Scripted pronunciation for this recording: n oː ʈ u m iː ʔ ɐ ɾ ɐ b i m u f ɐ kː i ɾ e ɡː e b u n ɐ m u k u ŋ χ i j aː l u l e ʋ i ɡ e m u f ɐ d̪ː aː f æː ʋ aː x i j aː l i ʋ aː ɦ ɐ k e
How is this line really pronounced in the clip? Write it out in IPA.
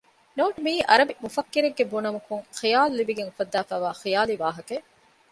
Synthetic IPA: n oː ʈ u m iː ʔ ɐ ɾ ɐ b i m u f ɐ kː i ɾ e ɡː e b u n ɐ m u k u ŋ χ i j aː l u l i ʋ i ɡ e ŋ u f ɐ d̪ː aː f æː ʋ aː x i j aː l i ʋ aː ɦ ɐ k e